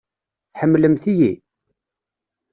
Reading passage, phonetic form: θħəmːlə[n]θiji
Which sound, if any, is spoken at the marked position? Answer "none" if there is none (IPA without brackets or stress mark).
m